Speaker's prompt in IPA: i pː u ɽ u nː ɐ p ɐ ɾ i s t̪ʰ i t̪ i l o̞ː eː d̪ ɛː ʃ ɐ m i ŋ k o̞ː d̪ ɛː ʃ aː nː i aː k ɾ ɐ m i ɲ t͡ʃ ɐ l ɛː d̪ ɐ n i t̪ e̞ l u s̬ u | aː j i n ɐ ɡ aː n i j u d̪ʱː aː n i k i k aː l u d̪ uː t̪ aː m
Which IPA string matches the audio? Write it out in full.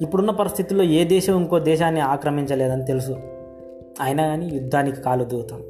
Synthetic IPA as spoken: i pː u ɽ u nː ɐ p ɐ ɾ i s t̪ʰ i t̪ i l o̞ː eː d̪ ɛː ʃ ɐ m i ŋ k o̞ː d̪ ɛː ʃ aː nː i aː k ɾ ɐ m i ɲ t͡ʃ ɐ l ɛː d̪ ɐ n i t̪ e̞ l u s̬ u | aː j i n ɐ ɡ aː n i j u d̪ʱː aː n i k i k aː l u d̪ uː t̪ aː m